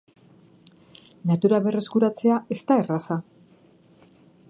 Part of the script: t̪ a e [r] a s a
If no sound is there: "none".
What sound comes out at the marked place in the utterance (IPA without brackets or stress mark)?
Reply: r